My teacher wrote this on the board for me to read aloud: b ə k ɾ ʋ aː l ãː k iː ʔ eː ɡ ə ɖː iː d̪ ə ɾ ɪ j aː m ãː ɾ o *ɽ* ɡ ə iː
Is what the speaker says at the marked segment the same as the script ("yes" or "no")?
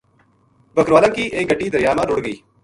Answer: yes